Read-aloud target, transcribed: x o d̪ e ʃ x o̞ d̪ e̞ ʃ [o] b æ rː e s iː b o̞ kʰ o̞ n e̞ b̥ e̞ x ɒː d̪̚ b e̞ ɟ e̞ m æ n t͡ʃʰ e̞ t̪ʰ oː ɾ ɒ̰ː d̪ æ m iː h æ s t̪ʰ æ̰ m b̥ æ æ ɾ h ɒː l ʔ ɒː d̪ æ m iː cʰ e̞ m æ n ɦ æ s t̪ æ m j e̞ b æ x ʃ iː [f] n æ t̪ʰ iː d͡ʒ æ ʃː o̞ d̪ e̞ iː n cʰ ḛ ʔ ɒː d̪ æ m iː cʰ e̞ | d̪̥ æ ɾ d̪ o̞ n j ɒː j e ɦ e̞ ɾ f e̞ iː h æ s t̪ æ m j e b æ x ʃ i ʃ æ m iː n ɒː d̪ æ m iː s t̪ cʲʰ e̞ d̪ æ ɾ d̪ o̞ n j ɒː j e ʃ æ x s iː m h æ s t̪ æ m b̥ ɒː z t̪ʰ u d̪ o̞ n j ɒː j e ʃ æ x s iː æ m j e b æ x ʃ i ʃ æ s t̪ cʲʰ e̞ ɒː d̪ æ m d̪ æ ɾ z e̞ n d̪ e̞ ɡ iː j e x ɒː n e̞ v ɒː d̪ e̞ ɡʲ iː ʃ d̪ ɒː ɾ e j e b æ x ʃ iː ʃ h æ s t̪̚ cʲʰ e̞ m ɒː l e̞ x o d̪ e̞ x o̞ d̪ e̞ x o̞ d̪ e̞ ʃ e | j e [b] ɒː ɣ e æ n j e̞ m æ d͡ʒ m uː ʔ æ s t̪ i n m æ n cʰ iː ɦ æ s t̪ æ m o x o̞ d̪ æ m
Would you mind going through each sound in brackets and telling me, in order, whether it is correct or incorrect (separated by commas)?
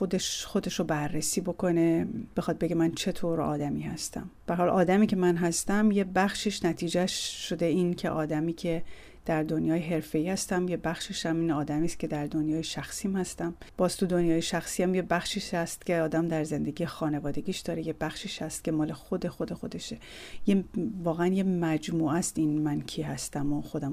correct, incorrect, incorrect